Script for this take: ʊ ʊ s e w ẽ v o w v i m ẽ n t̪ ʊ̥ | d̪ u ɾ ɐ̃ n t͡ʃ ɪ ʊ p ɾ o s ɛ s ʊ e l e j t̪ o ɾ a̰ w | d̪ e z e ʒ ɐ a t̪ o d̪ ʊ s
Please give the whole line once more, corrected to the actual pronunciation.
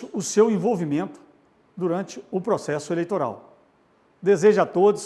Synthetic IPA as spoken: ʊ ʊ s e w ẽ v o w v i m ẽ n t̪ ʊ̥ | d̪ u ɾ ɐ̃ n t͡ʃ ɪ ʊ p ɾ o s ɛ s ʊ e l e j t̪ o ɾ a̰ w | d̪ e z e ʒ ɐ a t̪ o d̪ ʊ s